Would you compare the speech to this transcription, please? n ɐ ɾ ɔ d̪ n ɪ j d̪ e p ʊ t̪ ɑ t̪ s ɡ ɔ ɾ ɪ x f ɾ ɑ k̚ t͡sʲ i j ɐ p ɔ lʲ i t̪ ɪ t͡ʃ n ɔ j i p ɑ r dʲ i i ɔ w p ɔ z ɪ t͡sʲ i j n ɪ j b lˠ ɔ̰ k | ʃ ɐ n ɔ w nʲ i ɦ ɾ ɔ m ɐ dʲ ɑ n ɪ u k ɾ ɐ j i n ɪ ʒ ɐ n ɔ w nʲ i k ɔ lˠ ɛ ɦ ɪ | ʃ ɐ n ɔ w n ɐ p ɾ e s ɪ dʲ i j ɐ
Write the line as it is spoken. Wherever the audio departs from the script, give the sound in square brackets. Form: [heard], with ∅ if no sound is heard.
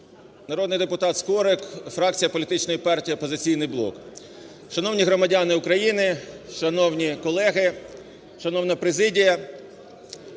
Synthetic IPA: n ɐ ɾ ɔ d̪ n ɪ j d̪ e p ʊ t̪ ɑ t̪ s [k] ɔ ɾ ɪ [k] f ɾ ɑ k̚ t͡sʲ i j ɐ p ɔ lʲ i t̪ ɪ t͡ʃ n ɔ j i p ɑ r [tʲ] i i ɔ [∅] p ɔ z ɪ t͡sʲ i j n ɪ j b lˠ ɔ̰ k | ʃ ɐ n ɔ w nʲ i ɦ ɾ ɔ m ɐ dʲ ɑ n ɪ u k ɾ ɐ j i n ɪ [ʃ] ɐ n ɔ w nʲ i k ɔ lˠ ɛ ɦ ɪ | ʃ ɐ n ɔ w n ɐ p ɾ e [z] ɪ dʲ i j ɐ